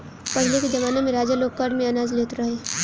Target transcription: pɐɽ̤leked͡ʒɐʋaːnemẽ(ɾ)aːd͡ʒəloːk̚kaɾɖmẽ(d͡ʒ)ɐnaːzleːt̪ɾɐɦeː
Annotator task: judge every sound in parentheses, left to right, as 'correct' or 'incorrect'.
correct, incorrect: none

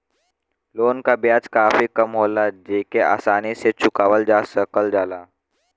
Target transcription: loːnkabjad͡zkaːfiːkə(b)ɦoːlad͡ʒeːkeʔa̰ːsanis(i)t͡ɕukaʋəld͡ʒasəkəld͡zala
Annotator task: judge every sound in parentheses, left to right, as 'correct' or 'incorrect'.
incorrect: m, incorrect: e

